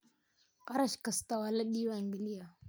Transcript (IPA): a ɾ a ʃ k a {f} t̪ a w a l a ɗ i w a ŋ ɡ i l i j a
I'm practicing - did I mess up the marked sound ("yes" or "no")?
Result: yes